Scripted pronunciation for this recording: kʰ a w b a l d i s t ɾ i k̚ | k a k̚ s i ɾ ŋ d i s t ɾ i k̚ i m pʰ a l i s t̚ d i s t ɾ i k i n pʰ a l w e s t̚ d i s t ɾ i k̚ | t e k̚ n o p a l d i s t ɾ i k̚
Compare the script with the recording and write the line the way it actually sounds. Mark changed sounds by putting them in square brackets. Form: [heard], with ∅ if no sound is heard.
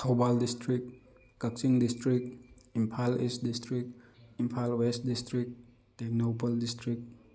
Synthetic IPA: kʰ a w b a l d i s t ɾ i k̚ | k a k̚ s i [∅] ŋ d i s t ɾ i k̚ i m pʰ a l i s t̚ d i s t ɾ i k i [m] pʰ a l w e s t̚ d i s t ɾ i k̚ | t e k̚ n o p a l d i s t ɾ i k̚

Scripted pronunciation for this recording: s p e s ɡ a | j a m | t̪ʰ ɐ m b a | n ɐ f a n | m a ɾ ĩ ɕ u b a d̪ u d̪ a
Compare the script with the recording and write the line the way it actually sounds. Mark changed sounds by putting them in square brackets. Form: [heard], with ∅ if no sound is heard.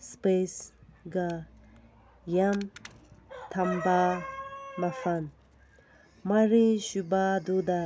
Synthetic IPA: s p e s ɡ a | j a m | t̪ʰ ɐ m b a | [m] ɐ f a n | m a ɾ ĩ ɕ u b a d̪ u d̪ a

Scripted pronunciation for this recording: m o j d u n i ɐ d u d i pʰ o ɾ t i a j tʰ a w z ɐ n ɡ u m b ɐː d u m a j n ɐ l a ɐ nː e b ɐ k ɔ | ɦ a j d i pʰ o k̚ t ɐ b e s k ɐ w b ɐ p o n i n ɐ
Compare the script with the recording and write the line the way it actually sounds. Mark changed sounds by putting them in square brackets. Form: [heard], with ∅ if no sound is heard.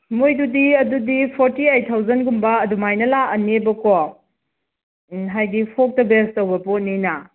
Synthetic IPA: m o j d u [d] i ɐ d u d i pʰ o ɾ t i a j tʰ a w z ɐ n ɡ u m b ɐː d u m a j n ɐ l a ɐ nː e b ɐ k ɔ | ɦ a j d i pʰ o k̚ t ɐ b e s [t] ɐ w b ɐ p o n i n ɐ

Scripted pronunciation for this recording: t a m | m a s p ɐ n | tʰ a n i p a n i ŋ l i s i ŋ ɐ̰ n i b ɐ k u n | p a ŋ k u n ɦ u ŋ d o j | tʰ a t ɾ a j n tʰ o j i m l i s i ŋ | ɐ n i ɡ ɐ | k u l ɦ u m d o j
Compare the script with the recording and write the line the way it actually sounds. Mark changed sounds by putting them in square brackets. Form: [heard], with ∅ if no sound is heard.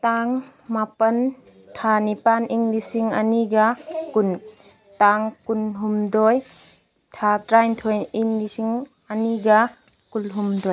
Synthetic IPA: t a [ŋ] | m a [∅] p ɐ n | tʰ a n i p a n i ŋ l i s i ŋ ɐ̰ n i [ɡ] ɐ k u n | [t] a ŋ k u n ɦ u [m] d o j | tʰ a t ɾ a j n tʰ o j i [ŋ] l i s i ŋ | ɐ n i ɡ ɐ | k u l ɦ u m d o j

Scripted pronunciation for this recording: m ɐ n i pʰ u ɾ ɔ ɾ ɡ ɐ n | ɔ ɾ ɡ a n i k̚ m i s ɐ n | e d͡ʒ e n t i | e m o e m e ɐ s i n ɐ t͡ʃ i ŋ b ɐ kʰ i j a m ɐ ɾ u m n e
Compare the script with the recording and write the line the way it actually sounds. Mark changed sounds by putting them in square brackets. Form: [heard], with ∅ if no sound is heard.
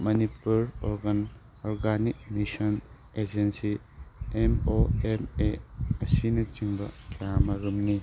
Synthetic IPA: m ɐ n i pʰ u ɾ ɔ ɾ ɡ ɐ n | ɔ ɾ ɡ a n i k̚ m i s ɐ n | e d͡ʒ e n [s] i | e m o e m e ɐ s i n ɐ t͡ʃ i ŋ b ɐ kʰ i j a m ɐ ɾ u m n [i]

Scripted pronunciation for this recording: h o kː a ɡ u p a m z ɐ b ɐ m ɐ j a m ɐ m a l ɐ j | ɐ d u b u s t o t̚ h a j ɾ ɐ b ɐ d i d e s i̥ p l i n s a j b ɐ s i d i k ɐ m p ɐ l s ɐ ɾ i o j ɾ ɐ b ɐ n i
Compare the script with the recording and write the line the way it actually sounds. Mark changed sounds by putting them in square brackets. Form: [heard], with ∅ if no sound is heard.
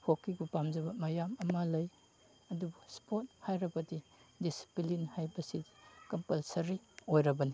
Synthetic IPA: h o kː [i] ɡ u p a m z ɐ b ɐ m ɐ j a m ɐ m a l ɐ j | ɐ d u b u s [p] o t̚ h a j ɾ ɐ b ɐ d i d [i] s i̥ p l i n [h] a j b ɐ s i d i k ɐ m p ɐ l s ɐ ɾ i o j ɾ ɐ b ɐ n i

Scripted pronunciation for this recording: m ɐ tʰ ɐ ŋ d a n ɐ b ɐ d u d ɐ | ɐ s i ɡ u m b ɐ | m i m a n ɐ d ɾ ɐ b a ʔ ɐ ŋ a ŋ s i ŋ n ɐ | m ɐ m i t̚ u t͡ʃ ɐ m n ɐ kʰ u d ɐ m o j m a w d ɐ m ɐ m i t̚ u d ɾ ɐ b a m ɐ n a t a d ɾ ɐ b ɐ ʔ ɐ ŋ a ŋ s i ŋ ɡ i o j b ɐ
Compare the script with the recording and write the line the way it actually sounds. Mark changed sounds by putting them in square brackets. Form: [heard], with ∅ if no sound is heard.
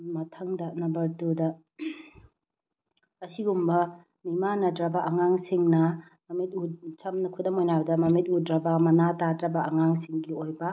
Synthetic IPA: m ɐ tʰ ɐ ŋ d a n ɐ b ɐ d u d ɐ | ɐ s i ɡ u m b ɐ | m i m a n ɐ d ɾ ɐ b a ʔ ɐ ŋ a ŋ s i ŋ n ɐ | m ɐ m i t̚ u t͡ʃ ɐ m n ɐ kʰ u d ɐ m o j [n] a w d ɐ m ɐ m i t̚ u d ɾ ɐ b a m ɐ n a t a d ɾ ɐ b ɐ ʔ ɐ ŋ a ŋ s i ŋ ɡ i o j b ɐ

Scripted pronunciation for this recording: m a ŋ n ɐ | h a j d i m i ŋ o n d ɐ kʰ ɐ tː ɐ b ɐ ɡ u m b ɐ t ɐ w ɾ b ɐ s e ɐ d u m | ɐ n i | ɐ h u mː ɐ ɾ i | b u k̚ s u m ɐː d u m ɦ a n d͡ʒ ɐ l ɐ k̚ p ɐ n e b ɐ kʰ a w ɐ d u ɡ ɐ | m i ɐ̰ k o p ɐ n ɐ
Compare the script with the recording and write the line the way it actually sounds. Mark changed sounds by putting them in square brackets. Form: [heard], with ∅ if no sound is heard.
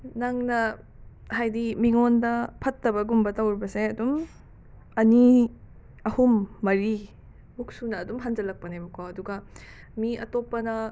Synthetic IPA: [n] a ŋ n ɐ | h a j d i m i ŋ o n d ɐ [pʰ] ɐ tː ɐ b ɐ ɡ u m b ɐ t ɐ w ɾ b ɐ s e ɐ d u m | ɐ n i | ɐ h u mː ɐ ɾ i | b u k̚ s u [n] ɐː d u m ɦ a n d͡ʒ ɐ l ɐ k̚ p ɐ n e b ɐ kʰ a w ɐ d u ɡ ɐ | m i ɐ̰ [t] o p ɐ n ɐ

